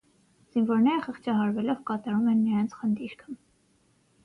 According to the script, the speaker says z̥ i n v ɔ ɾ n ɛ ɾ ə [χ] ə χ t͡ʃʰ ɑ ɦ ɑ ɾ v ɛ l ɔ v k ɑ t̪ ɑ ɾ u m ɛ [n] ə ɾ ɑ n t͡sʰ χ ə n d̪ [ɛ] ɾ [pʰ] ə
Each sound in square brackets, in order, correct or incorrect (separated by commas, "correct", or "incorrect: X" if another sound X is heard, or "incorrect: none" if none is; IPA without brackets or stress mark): correct, incorrect: nː, incorrect: i, incorrect: kʰ